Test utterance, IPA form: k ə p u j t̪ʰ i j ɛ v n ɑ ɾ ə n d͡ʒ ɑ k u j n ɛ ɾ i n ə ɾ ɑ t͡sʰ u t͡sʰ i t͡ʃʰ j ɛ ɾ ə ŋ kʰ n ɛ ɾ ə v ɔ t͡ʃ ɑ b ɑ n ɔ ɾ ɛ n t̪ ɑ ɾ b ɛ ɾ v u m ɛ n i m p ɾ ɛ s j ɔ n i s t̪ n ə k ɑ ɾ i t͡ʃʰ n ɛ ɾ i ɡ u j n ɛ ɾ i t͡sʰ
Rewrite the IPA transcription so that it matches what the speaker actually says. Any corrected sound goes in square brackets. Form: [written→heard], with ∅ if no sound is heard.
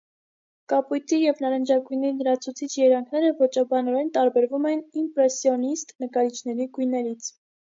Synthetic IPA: k [ə→ɑ] p u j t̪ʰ i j ɛ v n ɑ ɾ ə n d͡ʒ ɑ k u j n ɛ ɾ i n ə ɾ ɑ t͡sʰ u t͡sʰ i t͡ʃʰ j ɛ ɾ [ə→ɑ] ŋ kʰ n ɛ ɾ ə v ɔ t͡ʃ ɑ b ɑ n ɔ ɾ ɛ n t̪ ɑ ɾ b ɛ ɾ v u m ɛ n i m p ɾ ɛ s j ɔ n i s t̪ n ə k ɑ ɾ i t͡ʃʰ n ɛ ɾ i ɡ u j n ɛ ɾ i t͡sʰ